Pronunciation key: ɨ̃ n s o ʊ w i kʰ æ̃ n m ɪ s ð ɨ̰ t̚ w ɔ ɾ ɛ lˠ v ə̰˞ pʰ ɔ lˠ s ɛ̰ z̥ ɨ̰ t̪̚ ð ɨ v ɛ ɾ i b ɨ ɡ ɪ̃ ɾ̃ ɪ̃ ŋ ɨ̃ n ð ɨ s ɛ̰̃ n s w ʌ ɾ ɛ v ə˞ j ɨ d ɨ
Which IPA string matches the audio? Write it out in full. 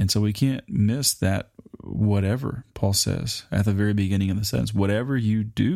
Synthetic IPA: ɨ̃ n s o ʊ w i kʰ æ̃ n m ɪ s ð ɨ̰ t̚ w ʌ ɾ ɛ v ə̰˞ pʰ ɔ lˠ s ɛ̰ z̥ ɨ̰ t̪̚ ð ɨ v ɛ ɹ i b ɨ ɡ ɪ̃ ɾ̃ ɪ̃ ŋ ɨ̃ n ð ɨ s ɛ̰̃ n s w ʌ ɾ ɛ v ə˞ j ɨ d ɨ